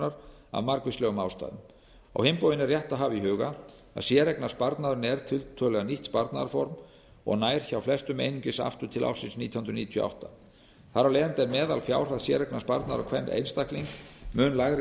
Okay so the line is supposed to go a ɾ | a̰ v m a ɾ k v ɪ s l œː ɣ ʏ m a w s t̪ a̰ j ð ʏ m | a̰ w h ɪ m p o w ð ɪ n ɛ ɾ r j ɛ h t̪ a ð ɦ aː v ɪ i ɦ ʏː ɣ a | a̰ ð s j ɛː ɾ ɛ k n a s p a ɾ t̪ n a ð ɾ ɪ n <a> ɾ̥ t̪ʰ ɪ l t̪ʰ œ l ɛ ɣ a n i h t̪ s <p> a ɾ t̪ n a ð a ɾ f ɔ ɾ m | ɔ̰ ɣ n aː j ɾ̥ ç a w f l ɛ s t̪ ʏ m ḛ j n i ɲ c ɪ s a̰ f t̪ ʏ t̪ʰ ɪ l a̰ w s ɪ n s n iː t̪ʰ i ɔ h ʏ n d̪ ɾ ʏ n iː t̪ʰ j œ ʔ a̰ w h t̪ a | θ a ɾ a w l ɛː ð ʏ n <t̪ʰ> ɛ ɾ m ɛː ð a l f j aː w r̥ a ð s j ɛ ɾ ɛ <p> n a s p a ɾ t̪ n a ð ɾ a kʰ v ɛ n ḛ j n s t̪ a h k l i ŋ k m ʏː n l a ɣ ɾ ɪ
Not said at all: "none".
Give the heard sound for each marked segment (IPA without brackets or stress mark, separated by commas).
ɛ, p, t̪, k